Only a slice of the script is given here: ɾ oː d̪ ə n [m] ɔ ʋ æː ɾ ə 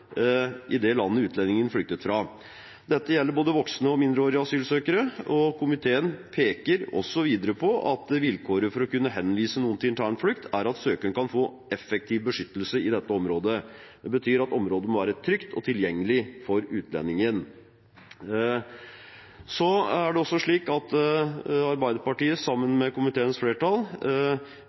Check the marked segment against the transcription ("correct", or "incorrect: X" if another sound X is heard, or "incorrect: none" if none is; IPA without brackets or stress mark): correct